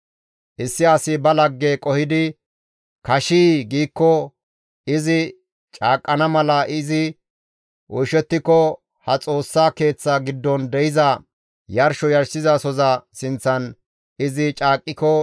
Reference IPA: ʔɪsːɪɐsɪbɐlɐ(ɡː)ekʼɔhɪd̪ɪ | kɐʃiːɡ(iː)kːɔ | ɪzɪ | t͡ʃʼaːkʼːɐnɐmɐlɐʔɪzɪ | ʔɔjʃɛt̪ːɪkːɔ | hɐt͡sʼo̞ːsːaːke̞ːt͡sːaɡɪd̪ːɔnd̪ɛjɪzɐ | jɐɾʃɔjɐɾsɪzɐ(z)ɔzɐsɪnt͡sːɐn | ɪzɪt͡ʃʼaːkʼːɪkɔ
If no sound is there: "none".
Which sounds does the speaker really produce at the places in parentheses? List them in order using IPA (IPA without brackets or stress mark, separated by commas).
ɡː, iː, s